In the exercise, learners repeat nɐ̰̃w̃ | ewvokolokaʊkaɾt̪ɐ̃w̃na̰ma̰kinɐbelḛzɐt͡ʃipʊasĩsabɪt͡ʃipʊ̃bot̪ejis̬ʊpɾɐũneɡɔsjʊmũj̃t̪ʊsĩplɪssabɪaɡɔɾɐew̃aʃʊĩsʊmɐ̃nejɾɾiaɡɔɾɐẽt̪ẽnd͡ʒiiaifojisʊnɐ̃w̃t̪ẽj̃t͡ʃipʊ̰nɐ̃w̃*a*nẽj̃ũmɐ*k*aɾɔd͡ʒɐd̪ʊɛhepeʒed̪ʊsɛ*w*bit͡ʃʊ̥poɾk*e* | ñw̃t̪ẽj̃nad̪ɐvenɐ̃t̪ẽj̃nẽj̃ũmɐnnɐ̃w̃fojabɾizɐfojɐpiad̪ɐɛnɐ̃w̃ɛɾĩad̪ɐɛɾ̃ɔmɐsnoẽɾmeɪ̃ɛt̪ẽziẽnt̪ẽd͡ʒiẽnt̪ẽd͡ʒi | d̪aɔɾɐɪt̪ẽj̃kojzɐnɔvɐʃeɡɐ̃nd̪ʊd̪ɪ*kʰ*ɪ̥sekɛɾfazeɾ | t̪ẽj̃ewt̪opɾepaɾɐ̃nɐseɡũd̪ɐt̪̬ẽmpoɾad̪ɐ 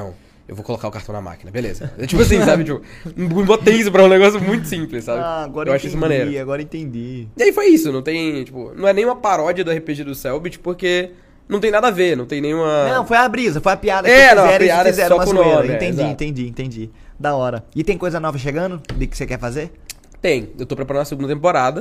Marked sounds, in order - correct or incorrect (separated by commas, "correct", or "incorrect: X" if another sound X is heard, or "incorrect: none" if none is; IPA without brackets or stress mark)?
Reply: incorrect: ɛ, incorrect: p, correct, correct, incorrect: k